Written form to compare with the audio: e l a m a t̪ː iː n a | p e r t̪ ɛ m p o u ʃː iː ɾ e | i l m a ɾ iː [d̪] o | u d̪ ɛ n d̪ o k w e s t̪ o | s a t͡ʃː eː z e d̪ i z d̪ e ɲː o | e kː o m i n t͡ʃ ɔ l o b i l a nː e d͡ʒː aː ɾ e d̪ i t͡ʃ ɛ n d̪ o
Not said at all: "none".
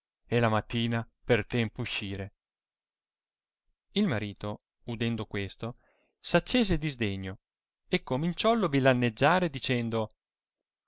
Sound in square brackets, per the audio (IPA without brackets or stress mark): t̪